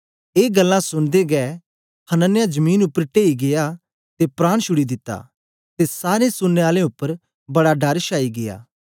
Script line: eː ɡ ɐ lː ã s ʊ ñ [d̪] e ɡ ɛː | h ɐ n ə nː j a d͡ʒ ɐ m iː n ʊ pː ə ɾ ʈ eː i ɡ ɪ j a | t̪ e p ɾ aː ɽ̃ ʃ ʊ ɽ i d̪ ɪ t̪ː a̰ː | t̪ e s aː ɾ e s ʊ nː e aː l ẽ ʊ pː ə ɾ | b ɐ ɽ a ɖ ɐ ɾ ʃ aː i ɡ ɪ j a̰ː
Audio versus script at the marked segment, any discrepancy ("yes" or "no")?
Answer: no